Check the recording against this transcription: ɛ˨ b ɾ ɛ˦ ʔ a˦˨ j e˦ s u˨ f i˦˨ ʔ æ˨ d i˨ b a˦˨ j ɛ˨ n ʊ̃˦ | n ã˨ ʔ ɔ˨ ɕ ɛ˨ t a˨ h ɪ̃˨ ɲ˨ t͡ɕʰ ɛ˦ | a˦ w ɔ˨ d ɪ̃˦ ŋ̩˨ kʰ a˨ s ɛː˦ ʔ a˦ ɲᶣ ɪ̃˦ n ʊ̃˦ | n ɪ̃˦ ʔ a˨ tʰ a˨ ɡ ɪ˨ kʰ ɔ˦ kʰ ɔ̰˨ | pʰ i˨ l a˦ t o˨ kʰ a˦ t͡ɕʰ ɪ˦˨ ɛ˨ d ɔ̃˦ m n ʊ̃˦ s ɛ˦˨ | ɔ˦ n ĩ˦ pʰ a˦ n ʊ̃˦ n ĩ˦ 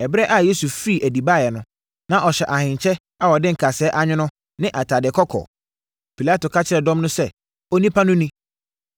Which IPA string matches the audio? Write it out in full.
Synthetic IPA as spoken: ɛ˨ b ɾ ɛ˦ ʔ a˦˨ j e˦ s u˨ f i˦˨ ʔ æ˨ d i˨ b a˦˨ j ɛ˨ n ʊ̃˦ | n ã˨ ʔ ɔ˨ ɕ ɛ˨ ʔ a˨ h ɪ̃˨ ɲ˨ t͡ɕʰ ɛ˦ | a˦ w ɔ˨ d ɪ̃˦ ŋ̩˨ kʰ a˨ s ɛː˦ ʔ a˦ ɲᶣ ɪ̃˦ n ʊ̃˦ | n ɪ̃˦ ʔ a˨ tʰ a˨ d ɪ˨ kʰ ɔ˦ kʰ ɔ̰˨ | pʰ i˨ l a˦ t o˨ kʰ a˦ t͡ɕʰ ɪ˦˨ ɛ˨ d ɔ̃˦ m n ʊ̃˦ s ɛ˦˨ | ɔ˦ n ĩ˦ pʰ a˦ n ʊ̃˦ n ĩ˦

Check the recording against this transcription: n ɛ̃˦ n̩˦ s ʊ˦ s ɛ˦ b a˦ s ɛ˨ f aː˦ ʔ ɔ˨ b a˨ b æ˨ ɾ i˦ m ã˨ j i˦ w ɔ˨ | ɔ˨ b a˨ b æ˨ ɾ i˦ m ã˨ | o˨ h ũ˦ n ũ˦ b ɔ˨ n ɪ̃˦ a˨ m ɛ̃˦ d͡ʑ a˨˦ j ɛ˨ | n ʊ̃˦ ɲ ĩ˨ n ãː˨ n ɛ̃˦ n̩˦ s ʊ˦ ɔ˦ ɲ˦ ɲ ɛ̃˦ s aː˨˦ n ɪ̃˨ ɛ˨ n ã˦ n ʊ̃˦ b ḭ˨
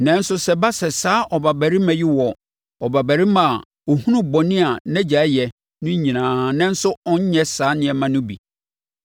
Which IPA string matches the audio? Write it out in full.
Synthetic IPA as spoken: n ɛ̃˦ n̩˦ s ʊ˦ s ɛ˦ b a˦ s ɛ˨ s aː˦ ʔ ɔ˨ b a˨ b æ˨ ɾ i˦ m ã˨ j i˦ w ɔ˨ | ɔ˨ b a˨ b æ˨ ɾ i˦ m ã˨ | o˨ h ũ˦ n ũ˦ b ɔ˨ n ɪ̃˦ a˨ n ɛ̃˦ d͡ʑ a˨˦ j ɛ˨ | n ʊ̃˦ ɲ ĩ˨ n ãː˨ n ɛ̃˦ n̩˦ s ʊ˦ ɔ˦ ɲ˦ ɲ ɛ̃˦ s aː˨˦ n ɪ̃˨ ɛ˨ m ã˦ n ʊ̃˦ b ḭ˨

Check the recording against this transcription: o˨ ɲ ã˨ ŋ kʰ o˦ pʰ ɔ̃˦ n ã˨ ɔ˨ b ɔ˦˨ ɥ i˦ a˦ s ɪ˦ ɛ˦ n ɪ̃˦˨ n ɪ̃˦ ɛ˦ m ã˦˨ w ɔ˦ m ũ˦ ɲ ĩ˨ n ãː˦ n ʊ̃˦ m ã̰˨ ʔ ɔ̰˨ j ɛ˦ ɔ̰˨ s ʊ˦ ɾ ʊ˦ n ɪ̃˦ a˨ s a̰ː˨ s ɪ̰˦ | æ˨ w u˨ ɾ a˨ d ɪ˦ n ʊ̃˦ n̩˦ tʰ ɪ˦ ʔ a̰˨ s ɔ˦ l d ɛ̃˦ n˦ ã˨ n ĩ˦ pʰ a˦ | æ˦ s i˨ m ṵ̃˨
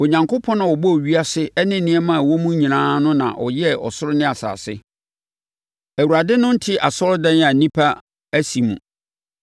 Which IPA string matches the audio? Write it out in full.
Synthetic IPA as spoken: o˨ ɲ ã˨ ŋ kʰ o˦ pʰ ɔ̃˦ n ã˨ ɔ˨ b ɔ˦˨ ɥ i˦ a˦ s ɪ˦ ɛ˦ n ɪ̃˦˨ n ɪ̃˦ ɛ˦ m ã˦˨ w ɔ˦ m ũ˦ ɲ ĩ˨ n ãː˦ n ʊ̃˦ n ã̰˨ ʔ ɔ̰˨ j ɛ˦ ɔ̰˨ s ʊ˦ ɾ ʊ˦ n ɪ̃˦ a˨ s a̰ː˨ s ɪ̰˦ | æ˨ w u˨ ɾ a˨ d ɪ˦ n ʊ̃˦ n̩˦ tʰ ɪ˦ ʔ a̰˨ s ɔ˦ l d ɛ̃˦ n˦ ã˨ n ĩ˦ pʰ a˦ | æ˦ s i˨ m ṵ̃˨

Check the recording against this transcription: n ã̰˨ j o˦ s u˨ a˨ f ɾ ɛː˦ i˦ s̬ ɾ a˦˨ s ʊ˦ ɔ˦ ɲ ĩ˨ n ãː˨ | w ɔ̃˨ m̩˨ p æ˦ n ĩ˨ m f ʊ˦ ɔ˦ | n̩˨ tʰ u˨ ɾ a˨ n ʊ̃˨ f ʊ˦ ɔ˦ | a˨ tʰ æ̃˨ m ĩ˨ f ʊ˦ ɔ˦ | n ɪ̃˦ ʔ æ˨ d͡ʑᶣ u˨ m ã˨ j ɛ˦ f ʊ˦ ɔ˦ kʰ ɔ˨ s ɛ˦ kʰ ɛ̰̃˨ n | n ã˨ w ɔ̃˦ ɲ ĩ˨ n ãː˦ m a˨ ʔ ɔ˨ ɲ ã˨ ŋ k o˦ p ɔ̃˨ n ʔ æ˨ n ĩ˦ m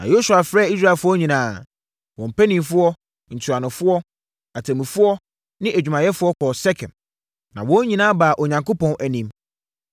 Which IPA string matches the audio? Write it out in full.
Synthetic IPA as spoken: n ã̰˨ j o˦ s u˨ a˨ f ɾ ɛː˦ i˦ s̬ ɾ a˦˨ f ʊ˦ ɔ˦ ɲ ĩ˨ n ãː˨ | w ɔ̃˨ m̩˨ p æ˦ n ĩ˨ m f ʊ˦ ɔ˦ | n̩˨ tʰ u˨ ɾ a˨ n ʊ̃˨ f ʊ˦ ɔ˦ | a˨ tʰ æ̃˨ m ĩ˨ f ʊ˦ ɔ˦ | n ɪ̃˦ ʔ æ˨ d͡ʑᶣ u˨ m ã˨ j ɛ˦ f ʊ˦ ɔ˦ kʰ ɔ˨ s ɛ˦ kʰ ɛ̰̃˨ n | n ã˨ w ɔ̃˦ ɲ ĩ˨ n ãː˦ b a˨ ʔ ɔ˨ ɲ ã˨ ŋ k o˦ p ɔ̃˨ n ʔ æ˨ n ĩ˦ m

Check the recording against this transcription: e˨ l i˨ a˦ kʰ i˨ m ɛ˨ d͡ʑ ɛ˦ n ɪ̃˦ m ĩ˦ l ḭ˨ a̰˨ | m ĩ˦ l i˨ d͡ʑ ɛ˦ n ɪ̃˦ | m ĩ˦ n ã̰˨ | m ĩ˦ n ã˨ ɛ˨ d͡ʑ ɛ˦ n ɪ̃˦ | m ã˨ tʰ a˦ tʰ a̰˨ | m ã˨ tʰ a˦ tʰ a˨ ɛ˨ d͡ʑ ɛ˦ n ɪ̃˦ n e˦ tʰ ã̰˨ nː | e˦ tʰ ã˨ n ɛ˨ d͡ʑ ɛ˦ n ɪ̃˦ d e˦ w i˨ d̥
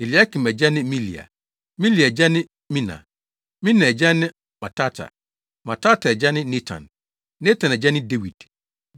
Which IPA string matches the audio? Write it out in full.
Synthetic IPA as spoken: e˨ l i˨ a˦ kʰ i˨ m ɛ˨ d͡ʑ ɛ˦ n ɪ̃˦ m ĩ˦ l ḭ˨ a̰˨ | m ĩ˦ l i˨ d͡ʑ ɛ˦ n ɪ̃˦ | m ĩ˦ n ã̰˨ | m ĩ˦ n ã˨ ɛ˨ d͡ʑ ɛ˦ n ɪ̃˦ | m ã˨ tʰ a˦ tʰ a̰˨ | m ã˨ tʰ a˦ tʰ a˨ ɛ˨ d͡ʑ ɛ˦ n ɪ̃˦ n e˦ tʰ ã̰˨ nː | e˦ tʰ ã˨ n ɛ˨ d͡ʑ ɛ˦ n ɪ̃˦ d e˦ w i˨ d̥

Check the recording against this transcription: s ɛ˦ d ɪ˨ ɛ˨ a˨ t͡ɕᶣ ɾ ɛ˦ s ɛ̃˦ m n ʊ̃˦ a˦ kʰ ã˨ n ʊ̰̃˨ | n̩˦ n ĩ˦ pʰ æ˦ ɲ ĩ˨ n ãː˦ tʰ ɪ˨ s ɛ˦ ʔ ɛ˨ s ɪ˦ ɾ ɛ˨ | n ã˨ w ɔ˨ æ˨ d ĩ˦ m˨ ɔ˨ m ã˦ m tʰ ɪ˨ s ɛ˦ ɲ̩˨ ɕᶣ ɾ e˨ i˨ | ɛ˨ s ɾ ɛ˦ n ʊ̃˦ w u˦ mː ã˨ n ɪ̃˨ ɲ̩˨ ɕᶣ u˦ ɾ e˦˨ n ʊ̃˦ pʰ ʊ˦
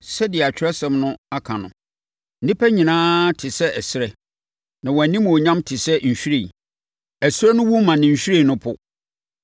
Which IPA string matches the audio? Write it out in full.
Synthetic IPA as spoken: s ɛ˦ d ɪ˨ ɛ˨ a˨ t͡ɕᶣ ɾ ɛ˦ s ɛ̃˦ m n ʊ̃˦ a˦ kʰ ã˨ n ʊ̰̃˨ | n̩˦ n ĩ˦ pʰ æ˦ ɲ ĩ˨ n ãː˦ tʰ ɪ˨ s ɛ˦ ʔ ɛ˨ s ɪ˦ ɾ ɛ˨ | n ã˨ w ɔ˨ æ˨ n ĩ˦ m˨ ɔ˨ ɲ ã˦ m tʰ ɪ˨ s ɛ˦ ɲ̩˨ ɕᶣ ɾ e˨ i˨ | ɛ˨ s ɾ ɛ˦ n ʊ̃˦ w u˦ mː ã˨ n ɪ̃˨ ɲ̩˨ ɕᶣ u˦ ɾ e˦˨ n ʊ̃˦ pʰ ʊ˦

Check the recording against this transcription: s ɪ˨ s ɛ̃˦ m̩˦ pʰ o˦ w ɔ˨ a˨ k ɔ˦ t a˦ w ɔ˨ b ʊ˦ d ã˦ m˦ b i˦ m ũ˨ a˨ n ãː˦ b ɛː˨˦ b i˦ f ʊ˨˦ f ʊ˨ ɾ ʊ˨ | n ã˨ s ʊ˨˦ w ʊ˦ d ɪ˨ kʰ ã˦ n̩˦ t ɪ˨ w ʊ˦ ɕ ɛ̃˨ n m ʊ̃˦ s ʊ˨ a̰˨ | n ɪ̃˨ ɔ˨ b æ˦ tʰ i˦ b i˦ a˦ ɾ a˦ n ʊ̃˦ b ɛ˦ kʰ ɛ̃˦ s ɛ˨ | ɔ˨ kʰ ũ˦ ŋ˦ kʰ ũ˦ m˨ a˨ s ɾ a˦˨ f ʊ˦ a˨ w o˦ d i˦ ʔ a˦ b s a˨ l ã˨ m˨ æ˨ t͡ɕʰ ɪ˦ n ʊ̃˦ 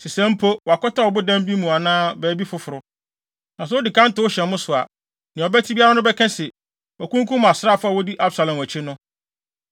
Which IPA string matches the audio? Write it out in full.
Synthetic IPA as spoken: s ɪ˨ s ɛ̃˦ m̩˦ pʰ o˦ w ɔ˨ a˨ k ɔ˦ t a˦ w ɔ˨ b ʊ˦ d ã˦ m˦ b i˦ m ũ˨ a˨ n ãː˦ b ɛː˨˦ b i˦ f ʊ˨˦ f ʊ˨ ɾ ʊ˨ | n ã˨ s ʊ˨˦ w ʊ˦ d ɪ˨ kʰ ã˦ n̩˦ t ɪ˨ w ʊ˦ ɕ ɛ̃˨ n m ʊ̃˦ s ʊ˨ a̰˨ | n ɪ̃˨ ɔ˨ b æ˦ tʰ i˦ b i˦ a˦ ɾ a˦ n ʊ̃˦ b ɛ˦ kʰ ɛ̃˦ s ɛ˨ | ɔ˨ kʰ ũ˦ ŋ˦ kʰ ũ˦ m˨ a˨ s ɾ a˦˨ f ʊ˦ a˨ w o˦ d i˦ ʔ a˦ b s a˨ l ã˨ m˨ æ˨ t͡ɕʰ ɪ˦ n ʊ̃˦

